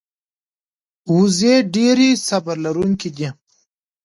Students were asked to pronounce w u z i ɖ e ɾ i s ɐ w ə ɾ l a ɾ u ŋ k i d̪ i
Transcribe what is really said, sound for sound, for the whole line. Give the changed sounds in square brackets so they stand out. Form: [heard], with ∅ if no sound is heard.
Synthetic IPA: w u z [e] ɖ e ɾ i s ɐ [b] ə ɾ l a ɾ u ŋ k i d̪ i

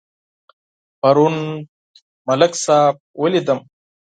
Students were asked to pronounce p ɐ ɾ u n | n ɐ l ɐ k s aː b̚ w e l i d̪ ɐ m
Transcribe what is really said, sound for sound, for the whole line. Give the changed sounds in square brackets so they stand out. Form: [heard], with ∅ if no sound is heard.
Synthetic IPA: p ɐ ɾ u n | [m] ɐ l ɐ k s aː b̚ w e l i d̪ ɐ m

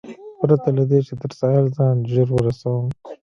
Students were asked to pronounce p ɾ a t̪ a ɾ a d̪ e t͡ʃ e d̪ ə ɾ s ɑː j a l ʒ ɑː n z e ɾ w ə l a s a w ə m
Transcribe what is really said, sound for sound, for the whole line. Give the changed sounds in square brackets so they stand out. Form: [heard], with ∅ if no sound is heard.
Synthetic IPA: p ɾ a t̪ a [l] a d̪ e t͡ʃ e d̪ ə ɾ s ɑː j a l [z] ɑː n [ʒ] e ɾ w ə [ɾ] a s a w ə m

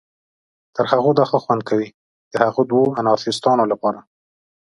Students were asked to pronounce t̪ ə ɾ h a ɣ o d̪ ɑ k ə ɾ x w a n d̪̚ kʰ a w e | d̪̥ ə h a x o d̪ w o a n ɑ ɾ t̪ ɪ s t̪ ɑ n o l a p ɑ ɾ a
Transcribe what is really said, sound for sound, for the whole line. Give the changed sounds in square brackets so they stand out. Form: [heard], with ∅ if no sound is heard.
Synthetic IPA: t̪ ə ɾ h a ɣ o d̪ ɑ [x] ə [∅] x w a n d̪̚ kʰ a w [i] | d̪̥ ə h a [ɣ] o d̪ w o a n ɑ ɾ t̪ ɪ s t̪ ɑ n o l a p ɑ ɾ a

